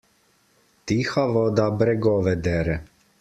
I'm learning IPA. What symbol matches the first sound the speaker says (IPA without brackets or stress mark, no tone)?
t̪